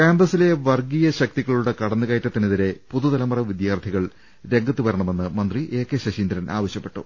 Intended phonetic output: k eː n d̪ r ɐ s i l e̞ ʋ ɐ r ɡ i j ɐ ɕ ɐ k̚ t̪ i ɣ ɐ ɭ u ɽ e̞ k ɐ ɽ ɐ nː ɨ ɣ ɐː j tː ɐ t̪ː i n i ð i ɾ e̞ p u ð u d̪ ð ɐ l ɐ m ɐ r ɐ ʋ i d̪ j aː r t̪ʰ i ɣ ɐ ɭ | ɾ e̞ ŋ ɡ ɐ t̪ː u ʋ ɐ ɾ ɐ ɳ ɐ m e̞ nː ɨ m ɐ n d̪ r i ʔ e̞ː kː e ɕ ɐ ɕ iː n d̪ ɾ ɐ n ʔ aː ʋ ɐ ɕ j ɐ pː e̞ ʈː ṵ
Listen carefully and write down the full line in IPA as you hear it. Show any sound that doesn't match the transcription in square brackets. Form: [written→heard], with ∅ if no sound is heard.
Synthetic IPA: k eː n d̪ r ɐ s i l e̞ ʋ ɐ r ɡ i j ɐ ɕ ɐ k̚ t̪ i ɣ ɐ ɭ u ɽ e̞ k ɐ ɽ ɐ nː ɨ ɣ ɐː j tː ɐ t̪ː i n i ð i ɾ e̞ p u ð u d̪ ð ɐ l ɐ m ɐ r ɐ ʋ i d̪ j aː r t̪ʰ i ɣ ɐ ɭ | ɾ e̞ ŋ ɡ ɐ t̪ː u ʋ ɐ ɾ ɐ ɳ ɐ m e̞ nː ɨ m ɐ n d̪ r i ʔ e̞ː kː e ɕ ɐ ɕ iː n d̪ ɾ ɐ n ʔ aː ʋ ɐ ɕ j ɐ pː e̞ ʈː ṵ